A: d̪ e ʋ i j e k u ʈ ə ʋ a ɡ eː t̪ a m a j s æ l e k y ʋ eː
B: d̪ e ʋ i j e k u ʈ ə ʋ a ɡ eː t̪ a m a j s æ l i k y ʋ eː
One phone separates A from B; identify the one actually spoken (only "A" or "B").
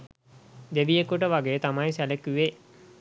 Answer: A